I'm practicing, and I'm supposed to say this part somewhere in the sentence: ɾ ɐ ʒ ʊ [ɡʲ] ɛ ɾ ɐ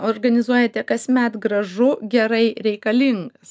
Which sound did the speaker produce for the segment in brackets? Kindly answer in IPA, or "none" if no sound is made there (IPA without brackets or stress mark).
ɡʲ